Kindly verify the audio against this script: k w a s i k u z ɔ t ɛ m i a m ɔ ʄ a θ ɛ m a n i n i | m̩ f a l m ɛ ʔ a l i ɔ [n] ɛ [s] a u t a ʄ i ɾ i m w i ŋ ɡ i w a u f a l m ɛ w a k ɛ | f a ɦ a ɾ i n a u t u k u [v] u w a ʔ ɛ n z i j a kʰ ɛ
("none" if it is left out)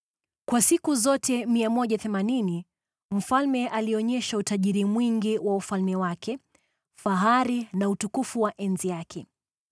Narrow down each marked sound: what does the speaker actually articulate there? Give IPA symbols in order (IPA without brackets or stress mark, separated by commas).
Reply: ɲ, ʃ, f